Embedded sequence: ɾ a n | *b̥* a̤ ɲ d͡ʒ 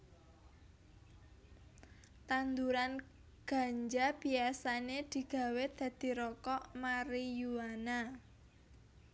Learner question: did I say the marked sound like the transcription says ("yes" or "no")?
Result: no